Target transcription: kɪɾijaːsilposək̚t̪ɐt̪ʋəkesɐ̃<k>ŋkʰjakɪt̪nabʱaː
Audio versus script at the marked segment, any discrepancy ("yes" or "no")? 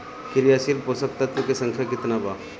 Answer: yes